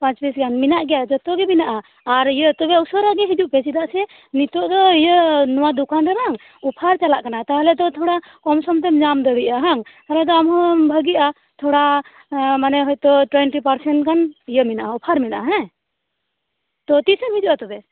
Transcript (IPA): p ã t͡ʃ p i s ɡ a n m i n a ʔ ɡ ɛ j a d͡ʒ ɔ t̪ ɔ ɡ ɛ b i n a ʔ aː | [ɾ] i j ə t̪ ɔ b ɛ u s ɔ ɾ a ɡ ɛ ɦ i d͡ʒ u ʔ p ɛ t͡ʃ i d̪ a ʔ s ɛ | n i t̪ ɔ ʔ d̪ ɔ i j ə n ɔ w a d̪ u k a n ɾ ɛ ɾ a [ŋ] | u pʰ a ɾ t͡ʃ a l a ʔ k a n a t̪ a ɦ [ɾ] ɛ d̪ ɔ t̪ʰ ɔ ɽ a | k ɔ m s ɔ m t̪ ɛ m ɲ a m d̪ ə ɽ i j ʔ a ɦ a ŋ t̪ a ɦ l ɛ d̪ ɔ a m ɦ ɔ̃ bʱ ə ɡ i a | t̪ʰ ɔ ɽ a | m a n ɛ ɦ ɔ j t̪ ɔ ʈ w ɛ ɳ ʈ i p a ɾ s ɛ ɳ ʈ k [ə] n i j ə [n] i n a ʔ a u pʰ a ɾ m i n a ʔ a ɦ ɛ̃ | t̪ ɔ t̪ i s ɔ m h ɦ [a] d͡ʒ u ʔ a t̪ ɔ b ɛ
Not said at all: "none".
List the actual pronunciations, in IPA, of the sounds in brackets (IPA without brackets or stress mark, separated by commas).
ɾ, ŋ, l, a, m, i